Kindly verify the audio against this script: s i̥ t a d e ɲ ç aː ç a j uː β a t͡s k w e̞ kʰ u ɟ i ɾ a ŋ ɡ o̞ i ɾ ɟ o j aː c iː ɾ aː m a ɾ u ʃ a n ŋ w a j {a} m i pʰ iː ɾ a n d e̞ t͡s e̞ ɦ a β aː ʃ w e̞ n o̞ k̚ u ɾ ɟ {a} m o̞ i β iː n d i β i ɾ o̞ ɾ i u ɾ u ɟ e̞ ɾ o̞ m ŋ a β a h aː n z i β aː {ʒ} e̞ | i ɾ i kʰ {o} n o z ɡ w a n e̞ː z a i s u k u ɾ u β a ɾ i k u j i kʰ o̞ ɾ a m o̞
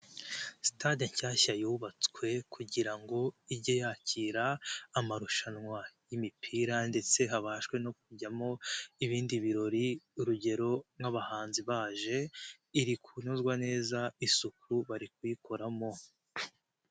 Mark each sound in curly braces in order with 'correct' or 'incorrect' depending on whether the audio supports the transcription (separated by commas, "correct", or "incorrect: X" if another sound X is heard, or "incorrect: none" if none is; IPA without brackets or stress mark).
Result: incorrect: i, correct, correct, incorrect: u